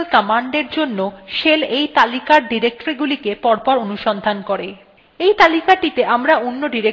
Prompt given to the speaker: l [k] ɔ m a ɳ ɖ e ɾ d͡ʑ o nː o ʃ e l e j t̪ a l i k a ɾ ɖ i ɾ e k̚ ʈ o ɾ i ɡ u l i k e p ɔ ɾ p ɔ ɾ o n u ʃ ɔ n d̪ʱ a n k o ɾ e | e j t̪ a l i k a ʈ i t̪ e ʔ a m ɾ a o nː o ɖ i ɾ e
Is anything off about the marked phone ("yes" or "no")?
no